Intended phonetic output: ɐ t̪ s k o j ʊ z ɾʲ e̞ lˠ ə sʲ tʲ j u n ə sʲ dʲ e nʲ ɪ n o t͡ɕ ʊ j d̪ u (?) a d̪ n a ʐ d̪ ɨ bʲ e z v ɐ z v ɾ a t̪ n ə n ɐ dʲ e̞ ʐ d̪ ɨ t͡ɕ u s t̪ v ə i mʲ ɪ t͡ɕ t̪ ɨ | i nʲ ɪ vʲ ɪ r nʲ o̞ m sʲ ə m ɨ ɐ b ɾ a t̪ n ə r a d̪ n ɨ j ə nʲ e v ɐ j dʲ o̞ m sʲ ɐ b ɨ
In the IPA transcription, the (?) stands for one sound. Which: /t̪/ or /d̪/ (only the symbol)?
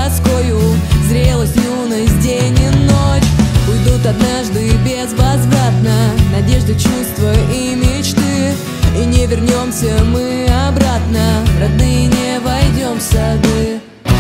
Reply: t̪